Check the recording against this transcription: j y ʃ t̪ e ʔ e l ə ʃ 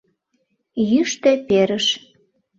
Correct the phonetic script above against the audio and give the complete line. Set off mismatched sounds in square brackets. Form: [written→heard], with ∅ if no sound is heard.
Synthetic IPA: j y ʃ t̪ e [ʔ→p] e [l→ɾ] ə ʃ